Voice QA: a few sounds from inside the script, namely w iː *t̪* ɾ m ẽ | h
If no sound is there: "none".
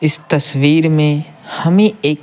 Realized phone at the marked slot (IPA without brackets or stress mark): none